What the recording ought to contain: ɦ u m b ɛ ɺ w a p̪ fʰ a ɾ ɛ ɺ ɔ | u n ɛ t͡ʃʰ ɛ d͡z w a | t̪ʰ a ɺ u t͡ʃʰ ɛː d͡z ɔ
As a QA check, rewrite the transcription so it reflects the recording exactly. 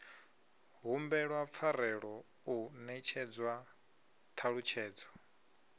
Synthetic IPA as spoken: ɦ u m b ɛ ɺ w a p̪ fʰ a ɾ ɛ ɺ ɔ | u n ɛ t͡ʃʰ ɛ d͡z w a | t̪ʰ a ɺ u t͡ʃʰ ɛː d͡z ɔ